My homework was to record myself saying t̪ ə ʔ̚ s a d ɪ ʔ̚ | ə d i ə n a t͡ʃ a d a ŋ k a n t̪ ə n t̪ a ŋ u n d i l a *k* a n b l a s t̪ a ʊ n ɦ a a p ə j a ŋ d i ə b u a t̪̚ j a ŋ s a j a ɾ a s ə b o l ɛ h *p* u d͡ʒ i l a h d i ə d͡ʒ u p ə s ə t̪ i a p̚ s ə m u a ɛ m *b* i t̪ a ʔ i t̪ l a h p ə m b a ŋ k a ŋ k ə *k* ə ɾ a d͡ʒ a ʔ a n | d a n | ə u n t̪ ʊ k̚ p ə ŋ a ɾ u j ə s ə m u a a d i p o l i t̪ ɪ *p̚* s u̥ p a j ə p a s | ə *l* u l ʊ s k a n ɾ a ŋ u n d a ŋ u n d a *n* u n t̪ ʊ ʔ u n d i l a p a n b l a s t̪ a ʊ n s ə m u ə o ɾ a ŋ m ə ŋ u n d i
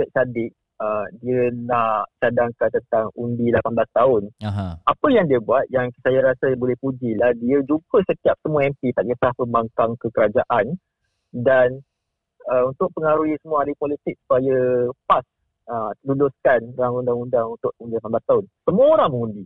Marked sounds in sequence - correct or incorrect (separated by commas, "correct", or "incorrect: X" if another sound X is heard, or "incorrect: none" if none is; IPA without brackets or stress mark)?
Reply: incorrect: p, correct, incorrect: p, correct, incorrect: k̚, correct, incorrect: ŋ